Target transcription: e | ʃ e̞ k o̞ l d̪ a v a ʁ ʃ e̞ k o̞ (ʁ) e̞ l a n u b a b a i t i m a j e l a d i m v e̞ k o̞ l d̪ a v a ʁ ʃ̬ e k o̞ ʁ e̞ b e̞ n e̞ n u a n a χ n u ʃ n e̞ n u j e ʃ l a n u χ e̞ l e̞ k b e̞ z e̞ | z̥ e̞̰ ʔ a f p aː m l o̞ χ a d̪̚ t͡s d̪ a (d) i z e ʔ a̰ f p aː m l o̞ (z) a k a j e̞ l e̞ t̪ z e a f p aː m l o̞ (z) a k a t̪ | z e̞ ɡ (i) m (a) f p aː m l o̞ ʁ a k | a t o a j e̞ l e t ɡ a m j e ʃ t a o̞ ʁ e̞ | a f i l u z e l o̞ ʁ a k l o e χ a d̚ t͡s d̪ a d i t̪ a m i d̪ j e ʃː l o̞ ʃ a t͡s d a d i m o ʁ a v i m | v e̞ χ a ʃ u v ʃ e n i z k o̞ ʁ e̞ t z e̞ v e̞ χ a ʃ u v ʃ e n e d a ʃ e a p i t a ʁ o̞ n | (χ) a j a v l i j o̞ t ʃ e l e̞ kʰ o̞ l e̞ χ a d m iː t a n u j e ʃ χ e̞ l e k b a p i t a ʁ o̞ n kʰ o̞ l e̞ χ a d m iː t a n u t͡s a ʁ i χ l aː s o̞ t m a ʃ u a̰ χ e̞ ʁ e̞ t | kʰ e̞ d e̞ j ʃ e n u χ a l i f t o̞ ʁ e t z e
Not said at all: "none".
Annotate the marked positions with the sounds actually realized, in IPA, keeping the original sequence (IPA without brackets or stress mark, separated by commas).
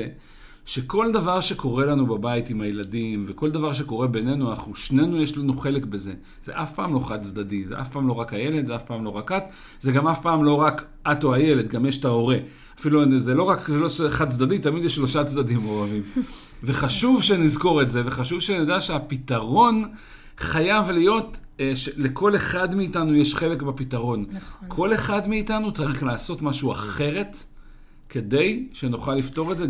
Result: ʁ, d, ʁ, ʁ, a, a, χ